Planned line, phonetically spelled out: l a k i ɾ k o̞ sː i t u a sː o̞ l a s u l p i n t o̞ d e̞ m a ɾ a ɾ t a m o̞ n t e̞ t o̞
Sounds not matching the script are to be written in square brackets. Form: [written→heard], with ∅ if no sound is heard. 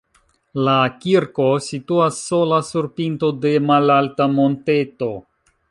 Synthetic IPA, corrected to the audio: l a k i ɾ k o̞ [sː→s] i t u a sː o̞ l a s u [l→ɾ] p i n t o̞ d e̞ m a [ɾ→l] a [ɾ→l] t a m o̞ n t e̞ t o̞